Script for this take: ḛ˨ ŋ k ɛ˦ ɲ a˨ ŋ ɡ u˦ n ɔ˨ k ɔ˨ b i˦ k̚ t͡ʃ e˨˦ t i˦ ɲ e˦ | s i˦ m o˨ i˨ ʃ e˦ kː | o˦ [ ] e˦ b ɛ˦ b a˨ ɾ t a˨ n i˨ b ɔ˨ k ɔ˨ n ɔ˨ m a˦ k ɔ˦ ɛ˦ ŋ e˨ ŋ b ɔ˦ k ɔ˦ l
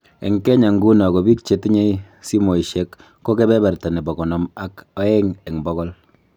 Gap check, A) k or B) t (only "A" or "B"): A